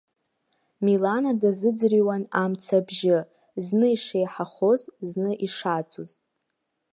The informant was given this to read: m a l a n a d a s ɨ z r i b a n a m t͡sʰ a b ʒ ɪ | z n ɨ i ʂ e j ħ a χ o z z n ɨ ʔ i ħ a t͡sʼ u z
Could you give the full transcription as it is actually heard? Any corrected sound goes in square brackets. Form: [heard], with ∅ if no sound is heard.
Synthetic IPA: m [i] l a n a d a [z] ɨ [d͡z] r i [w] a n a m t͡sʰ a b ʒ ɪ | z n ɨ i ʂ e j ħ a χ o z z n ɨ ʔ i [ʂ] a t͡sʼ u z